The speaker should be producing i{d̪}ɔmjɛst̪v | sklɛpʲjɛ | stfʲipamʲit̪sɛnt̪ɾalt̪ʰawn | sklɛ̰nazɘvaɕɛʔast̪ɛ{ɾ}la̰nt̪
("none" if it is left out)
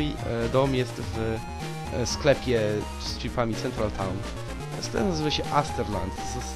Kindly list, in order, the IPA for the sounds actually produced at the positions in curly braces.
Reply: d̪, ɾ

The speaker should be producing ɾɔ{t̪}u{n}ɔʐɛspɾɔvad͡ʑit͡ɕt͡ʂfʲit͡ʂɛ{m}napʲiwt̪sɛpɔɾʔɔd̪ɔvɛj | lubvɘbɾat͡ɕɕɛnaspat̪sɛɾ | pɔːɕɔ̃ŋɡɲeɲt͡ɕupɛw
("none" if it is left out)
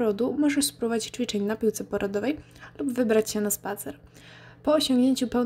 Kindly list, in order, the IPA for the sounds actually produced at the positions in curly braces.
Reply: d̪, m, ɲ

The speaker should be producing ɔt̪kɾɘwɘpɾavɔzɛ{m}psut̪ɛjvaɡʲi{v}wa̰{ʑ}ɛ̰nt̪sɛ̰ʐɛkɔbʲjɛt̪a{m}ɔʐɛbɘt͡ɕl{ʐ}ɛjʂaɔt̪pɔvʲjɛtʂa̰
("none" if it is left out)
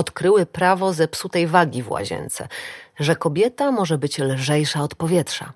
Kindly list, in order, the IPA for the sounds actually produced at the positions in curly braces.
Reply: none, v, ʑ, m, ʐ

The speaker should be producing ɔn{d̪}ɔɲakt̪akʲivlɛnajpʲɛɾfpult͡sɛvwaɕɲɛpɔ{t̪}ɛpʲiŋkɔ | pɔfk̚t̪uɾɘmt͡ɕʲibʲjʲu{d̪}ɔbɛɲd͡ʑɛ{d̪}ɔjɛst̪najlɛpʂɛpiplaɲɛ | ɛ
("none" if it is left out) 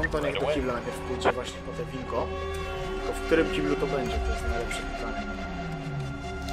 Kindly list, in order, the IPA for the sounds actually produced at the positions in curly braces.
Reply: t̪, t̪, t̪, t̪

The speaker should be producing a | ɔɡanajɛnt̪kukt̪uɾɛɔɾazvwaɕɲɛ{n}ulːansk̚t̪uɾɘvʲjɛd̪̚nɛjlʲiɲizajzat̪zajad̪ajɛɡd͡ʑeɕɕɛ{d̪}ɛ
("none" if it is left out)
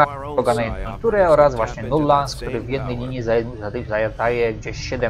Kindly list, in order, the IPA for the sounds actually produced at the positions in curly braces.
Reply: n, d̪

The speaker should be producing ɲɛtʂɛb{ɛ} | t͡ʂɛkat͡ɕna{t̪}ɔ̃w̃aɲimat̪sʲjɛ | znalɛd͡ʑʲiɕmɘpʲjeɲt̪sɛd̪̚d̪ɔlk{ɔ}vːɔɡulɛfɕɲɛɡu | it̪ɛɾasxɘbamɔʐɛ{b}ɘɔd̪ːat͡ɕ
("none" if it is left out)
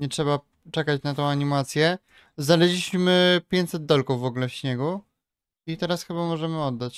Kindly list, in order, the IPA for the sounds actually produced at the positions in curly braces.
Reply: a, t̪, u, m

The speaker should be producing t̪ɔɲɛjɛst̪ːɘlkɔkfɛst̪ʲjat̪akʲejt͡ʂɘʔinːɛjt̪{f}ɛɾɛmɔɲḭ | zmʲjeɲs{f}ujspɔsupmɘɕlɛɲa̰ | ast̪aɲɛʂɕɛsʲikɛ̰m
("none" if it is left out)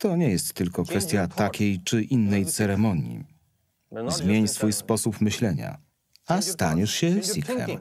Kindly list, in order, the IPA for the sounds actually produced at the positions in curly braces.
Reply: s, f

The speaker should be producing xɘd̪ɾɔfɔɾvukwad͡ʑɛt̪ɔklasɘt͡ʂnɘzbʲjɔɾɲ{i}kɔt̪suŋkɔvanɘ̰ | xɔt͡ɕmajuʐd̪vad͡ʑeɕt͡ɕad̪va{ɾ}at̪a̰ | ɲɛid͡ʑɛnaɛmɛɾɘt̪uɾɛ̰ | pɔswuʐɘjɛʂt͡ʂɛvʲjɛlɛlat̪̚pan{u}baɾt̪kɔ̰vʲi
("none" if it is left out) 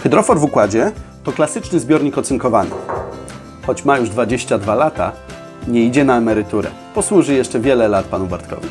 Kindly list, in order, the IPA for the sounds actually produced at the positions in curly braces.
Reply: i, l, u

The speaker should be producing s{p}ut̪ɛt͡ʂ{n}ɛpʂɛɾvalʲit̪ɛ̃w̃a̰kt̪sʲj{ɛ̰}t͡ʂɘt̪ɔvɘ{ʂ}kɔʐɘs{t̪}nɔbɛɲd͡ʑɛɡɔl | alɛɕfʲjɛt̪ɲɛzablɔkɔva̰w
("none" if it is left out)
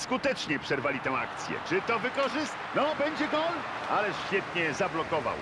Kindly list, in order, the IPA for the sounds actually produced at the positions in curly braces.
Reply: k, ɲ, ɛ̰, none, t̪

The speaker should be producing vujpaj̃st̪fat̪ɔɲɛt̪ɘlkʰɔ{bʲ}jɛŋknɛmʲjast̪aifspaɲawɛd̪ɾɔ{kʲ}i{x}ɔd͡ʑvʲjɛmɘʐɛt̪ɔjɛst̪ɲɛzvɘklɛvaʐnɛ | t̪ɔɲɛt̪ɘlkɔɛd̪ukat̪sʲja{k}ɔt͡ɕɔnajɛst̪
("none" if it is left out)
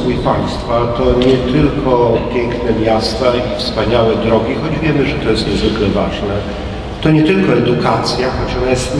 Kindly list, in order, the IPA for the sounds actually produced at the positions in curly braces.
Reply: pʲ, ɡʲ, x, x

